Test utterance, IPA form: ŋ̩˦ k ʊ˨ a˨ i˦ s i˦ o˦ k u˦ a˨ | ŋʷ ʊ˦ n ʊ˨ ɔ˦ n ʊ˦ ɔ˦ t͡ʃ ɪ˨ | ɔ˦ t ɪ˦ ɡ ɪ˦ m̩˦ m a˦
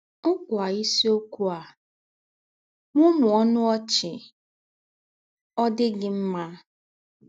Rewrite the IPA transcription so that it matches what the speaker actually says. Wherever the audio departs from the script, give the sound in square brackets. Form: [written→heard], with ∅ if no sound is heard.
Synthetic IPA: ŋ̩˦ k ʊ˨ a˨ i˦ s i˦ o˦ k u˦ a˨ | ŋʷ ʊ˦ [n→m] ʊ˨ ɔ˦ n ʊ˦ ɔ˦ t͡ʃ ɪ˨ | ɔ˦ [t→d] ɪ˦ ɡ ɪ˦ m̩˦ m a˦